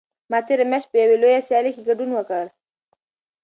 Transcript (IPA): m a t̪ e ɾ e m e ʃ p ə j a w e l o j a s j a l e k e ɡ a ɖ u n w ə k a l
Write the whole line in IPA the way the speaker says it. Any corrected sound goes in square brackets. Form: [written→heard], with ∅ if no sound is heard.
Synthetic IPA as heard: m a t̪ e ɾ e m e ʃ p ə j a w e l o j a s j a l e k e ɡ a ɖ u n w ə k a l

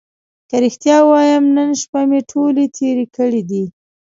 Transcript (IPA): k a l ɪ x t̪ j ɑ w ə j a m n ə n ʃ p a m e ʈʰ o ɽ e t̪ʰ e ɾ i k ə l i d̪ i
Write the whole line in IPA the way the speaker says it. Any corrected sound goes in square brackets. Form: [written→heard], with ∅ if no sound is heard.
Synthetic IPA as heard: k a [l→ɾ] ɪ x t̪ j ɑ w [ə→ɑ] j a m n ə n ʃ p a m e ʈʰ o [ɽ→l] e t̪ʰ e ɾ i k ə [l→ɽ] i d̪ i

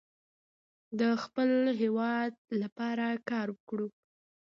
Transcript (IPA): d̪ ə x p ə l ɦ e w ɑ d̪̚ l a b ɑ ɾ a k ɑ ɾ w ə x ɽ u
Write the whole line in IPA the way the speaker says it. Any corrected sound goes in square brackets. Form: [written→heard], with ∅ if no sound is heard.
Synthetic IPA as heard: d̪ ə x p ə l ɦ e w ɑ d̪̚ l a [b→p] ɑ ɾ a k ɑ ɾ w ə [x→k] ɽ u

